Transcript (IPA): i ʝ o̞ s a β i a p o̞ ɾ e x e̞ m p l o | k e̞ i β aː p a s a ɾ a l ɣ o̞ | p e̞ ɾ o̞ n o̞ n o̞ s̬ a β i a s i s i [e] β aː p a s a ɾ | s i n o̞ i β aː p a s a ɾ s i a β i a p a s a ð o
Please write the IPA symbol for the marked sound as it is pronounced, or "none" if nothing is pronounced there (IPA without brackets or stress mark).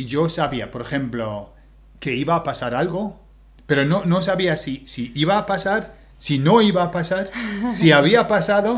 i